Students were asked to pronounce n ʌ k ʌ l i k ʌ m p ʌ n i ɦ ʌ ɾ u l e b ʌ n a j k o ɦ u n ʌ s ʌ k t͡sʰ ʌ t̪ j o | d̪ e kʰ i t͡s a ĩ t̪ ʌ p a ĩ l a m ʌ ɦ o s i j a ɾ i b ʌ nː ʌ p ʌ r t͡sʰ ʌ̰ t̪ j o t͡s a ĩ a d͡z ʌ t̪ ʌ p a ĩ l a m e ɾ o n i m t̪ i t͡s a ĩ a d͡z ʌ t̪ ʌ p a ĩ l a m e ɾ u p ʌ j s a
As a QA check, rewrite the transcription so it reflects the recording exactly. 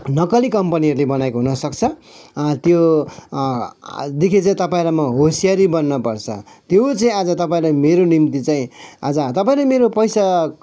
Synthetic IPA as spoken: n ʌ k ʌ l i k ʌ m p ʌ n i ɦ ʌ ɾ u l e b ʌ n a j k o ɦ u n ʌ s ʌ k t͡sʰ ʌ t̪ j o | d̪ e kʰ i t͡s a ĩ t̪ ʌ p a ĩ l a m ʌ ɦ o s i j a ɾ i b ʌ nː ʌ p ʌ r t͡sʰ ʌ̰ t̪ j o t͡s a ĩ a d͡z ʌ t̪ ʌ p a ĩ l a m e ɾ o n i m t̪ i t͡s a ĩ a d͡z ʌ t̪ ʌ p a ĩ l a m e ɾ o p ʌ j s a